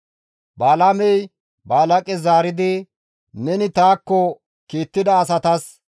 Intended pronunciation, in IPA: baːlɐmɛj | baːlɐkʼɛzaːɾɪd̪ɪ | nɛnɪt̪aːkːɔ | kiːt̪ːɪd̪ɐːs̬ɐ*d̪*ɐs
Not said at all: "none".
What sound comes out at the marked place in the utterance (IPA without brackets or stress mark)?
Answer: t̪